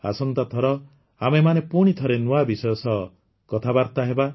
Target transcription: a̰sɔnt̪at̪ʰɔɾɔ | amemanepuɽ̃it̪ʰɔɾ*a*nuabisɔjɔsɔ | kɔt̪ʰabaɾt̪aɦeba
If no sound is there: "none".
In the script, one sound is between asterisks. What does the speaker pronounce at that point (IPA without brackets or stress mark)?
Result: e